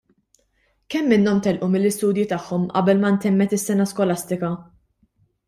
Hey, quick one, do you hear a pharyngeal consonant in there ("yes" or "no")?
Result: yes